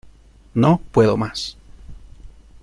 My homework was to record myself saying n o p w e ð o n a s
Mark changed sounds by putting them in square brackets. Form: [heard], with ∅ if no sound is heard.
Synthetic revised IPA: n o p w e ð o [m] a s